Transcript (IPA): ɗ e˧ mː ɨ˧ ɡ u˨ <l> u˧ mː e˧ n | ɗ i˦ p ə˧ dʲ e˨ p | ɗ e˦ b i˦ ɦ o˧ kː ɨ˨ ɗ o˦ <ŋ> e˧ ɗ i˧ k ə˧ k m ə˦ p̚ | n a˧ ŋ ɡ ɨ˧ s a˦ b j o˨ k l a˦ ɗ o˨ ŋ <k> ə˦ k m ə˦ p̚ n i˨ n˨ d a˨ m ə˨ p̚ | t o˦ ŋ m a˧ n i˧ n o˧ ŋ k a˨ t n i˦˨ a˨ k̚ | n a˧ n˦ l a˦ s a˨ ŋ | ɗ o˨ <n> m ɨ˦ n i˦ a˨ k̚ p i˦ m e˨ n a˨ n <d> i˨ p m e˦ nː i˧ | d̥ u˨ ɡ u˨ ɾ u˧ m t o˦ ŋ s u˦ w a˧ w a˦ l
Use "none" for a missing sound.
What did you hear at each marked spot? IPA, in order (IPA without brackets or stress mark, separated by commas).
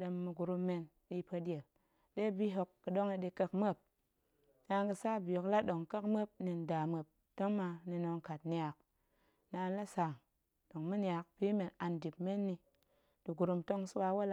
ɾ, ŋ, k, ŋ, d